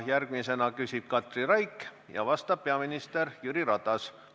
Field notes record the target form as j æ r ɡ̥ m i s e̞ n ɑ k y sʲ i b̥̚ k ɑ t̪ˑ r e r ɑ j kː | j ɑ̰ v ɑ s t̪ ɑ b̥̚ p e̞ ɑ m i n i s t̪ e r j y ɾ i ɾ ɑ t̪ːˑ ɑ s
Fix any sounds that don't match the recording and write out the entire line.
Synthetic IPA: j æ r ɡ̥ m i s e̞ n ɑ k y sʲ i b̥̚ k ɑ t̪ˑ r i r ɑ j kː | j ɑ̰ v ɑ s t̪ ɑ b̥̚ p e̞ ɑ m i n i s t̪ e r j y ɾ i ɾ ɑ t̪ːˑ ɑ s